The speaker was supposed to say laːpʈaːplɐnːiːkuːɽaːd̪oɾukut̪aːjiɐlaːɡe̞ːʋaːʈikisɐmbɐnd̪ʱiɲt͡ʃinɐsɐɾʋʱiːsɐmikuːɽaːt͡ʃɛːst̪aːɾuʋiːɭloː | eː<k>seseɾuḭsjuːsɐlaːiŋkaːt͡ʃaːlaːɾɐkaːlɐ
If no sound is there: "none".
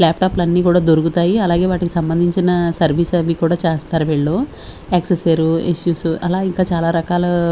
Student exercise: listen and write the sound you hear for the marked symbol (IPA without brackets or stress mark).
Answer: k